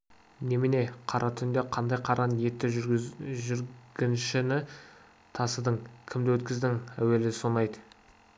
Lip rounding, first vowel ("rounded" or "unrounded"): unrounded